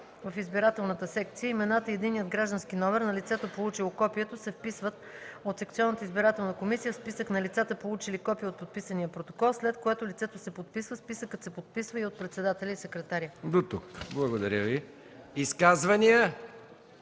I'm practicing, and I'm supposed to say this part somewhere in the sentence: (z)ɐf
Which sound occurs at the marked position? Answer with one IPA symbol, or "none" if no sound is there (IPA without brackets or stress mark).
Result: v